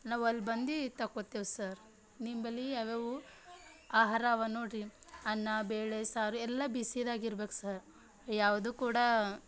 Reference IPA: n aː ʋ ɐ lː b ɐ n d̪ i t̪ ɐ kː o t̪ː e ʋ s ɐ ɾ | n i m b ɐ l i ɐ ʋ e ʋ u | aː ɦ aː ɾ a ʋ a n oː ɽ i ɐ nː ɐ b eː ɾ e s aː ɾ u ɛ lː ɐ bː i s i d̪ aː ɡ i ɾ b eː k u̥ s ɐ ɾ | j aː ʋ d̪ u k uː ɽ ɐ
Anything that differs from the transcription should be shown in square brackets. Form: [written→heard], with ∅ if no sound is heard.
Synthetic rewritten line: n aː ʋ ɐ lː b ɐ n d̪ i t̪ ɐ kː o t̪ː e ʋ s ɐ ɾ | n i m b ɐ l i ɐ ʋ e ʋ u | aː ɦ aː ɾ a ʋ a n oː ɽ i ɐ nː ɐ b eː [ɾ→ɭ] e s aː ɾ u ɛ lː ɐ [bː→b] i s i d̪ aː ɡ i ɾ b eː k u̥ s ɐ ɾ | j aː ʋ d̪ u k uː ɽ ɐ